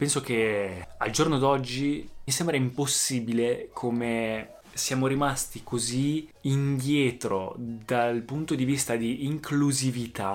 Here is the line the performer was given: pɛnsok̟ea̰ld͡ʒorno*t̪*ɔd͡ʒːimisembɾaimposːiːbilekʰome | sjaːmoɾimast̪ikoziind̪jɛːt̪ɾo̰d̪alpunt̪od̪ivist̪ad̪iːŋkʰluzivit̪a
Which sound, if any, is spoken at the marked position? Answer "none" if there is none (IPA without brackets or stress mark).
d̪